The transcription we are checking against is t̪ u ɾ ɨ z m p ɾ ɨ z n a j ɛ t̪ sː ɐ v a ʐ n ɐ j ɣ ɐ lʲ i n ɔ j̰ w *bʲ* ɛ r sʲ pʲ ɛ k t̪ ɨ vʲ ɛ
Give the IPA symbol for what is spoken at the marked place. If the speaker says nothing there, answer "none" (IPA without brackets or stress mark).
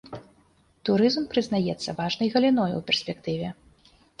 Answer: pʲ